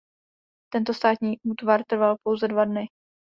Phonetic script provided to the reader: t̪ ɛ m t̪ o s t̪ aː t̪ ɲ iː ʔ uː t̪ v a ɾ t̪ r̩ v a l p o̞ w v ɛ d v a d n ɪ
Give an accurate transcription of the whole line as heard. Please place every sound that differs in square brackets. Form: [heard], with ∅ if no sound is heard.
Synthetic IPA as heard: t̪ ɛ [n] t̪ o s t̪ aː t̪ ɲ iː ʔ uː t̪ v a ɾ t̪ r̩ v a l p o̞ w [z] ɛ d v a d n ɪ